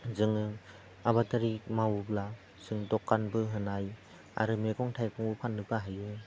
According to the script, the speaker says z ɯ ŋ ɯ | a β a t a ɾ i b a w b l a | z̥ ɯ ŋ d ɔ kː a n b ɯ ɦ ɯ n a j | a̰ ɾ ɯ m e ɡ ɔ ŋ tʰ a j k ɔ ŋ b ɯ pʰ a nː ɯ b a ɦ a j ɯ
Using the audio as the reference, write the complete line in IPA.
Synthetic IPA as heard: z ɯ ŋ ɯ | a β a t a ɾ i m a w b l a | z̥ ɯ ŋ d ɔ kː a n b ɯ ɦ ɯ n a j | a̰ ɾ ɯ m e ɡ ɔ ŋ tʰ a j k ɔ ŋ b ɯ pʰ a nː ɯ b a ɦ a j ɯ